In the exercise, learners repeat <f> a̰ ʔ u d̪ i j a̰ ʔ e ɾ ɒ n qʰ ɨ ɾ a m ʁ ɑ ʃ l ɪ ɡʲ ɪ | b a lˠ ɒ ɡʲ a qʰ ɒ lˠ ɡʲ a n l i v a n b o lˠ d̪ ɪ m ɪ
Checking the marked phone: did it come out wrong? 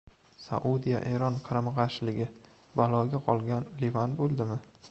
yes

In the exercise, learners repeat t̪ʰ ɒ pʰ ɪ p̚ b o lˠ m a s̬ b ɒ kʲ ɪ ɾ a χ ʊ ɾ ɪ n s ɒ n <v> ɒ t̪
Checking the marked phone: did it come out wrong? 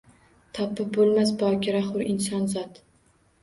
yes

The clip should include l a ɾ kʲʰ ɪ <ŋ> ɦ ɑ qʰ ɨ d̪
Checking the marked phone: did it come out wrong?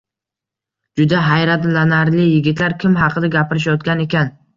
yes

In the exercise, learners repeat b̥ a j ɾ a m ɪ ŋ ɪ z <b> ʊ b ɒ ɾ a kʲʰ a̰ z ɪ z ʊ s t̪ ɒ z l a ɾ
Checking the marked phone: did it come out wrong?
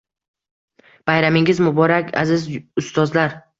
yes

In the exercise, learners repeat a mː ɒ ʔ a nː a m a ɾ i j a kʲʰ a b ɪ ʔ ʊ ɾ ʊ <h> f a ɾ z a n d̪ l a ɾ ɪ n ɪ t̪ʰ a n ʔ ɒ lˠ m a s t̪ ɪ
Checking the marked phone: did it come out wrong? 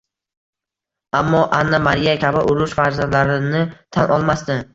yes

